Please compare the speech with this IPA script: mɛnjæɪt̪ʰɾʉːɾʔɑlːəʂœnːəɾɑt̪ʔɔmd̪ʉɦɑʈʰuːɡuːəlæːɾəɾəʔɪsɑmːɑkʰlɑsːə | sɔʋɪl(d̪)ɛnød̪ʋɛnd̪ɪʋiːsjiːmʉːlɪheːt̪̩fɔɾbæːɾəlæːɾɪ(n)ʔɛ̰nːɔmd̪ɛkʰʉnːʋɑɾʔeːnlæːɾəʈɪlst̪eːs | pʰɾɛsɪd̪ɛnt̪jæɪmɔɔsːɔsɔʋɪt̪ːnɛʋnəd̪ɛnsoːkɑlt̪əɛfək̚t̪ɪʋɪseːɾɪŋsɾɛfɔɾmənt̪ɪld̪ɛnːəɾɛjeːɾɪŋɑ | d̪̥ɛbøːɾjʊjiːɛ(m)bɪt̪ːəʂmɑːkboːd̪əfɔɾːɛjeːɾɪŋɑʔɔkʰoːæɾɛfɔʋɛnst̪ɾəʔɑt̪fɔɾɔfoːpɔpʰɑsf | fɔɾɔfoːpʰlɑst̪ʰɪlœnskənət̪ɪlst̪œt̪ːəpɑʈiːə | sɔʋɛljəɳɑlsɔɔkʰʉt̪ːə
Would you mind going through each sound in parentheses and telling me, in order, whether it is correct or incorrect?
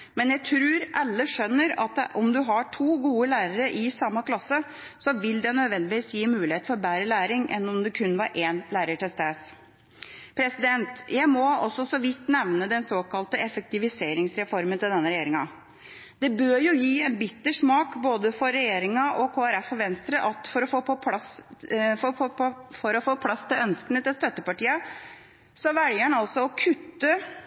correct, incorrect, incorrect

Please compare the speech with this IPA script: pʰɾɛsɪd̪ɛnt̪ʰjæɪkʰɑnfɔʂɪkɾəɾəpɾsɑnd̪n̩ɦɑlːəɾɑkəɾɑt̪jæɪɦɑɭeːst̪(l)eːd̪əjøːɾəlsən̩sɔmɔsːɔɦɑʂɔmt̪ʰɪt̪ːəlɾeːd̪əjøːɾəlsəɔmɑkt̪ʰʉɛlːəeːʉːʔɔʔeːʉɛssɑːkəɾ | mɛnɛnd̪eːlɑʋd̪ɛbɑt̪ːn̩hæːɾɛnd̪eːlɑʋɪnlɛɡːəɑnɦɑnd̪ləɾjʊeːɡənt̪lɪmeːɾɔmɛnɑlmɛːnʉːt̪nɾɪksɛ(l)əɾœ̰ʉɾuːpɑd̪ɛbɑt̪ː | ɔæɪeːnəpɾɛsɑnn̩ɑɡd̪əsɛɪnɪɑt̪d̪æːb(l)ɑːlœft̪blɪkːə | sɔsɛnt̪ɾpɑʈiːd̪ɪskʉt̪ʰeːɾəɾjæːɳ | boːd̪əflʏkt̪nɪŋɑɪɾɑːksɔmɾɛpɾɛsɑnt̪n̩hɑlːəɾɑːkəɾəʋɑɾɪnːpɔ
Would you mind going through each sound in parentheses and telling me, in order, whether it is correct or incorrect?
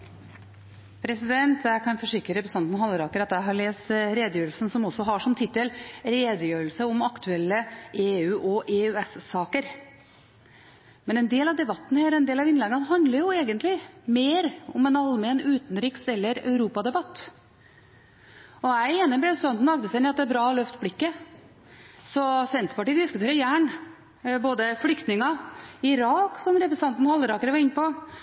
incorrect, incorrect, incorrect

